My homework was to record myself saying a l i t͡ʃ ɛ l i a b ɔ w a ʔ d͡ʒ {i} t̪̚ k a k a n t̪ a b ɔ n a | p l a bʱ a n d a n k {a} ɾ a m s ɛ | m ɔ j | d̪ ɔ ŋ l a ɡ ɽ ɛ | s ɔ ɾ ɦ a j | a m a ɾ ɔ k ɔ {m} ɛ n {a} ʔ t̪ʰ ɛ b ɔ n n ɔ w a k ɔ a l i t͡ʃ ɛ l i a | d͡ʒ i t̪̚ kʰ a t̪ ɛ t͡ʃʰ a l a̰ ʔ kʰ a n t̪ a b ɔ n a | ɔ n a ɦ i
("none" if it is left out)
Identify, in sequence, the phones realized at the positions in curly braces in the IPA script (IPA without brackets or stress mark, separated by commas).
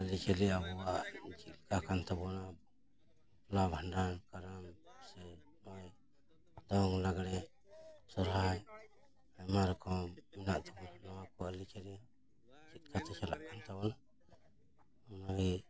i, a, m, a